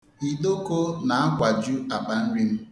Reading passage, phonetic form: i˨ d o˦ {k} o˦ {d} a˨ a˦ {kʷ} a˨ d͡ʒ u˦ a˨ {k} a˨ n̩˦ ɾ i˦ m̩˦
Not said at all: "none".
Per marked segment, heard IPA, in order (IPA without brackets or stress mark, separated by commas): k, n, kʷ, k͡p